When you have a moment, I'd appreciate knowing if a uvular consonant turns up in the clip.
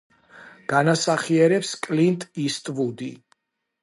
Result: yes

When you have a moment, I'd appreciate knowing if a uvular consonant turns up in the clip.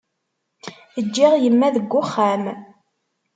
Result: yes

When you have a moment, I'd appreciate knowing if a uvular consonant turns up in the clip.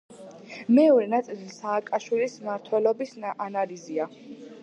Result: no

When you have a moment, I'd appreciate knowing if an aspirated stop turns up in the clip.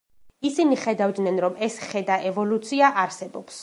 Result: no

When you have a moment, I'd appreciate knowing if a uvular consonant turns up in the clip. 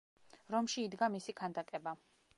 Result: no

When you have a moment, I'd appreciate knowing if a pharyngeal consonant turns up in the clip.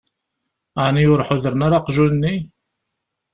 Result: yes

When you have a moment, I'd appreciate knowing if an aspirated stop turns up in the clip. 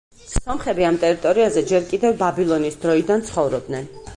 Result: no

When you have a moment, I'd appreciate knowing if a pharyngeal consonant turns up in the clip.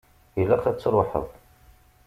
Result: yes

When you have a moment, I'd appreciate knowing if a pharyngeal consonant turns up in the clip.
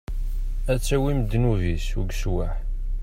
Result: yes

